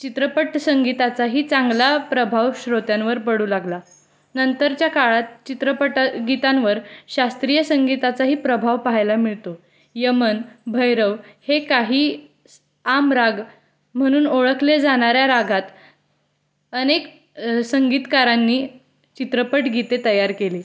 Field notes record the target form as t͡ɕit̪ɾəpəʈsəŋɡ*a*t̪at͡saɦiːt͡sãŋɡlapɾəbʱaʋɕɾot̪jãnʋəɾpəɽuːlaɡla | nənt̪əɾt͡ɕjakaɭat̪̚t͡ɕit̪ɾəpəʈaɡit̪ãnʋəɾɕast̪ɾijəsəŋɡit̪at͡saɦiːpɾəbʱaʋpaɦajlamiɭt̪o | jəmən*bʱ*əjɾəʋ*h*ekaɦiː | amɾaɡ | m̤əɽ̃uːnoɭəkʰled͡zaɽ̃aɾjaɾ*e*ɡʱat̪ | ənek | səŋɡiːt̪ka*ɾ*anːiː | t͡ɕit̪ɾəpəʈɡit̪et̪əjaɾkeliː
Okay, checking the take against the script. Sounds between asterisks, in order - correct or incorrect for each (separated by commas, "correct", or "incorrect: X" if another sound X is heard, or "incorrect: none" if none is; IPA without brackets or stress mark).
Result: incorrect: i, correct, correct, incorrect: a, correct